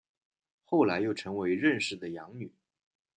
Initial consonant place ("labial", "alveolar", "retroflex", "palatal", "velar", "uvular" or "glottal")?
velar